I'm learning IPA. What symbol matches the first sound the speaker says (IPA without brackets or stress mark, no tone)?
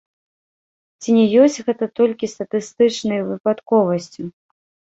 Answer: t͡sʲ